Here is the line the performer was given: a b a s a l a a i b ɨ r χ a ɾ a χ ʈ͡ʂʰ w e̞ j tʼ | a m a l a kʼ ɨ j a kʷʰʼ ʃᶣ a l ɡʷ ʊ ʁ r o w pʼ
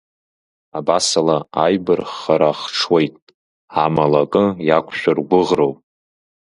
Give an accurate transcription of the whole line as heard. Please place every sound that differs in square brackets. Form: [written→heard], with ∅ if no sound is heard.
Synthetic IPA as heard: a b a s a l a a [i→j] b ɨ r χ a ɾ a χ ʈ͡ʂʰ w e̞ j tʼ | a m a l a kʼ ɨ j a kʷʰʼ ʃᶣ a [l→r] ɡʷ ʊ ʁ r o w pʼ